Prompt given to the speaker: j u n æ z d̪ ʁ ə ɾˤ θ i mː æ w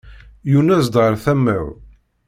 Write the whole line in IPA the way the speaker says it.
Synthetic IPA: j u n æ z d̪ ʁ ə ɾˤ θ æ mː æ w